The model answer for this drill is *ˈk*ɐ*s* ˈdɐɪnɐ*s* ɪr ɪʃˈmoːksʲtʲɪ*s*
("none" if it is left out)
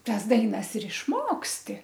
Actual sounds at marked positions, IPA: t, s, s, none

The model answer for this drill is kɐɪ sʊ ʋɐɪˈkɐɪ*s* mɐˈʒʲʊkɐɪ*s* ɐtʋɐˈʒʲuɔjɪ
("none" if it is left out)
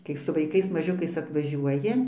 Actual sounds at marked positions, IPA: s, s

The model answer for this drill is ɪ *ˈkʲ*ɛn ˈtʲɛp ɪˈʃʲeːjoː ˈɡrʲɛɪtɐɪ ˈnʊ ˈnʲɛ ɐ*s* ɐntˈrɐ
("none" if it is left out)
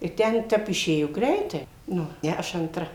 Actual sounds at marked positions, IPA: tʲ, ʃ

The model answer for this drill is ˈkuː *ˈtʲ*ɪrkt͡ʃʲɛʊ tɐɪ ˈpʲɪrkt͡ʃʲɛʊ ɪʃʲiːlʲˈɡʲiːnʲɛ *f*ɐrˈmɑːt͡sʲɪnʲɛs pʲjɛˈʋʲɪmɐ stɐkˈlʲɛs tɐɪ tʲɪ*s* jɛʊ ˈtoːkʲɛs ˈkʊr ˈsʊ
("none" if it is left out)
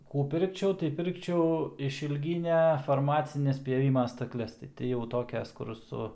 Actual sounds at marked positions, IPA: pʲ, f, none

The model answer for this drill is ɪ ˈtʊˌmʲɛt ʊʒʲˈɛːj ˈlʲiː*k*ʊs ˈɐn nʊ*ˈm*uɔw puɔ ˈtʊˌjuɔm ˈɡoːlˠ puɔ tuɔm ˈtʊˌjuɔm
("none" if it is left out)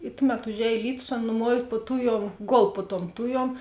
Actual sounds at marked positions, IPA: t, m

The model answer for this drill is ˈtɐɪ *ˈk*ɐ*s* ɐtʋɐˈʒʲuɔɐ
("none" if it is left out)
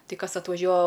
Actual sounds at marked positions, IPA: k, s

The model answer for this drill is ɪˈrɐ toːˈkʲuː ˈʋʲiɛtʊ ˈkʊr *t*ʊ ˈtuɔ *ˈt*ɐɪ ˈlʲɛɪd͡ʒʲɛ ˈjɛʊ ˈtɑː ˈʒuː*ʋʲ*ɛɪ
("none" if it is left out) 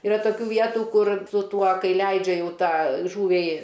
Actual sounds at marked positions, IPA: s, k, ʋʲ

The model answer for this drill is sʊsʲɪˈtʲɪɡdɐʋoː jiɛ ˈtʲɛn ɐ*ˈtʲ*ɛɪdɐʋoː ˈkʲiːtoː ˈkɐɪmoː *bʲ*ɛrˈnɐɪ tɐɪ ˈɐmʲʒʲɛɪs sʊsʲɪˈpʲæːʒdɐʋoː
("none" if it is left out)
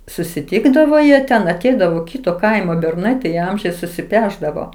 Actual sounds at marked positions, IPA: tʲ, bʲ

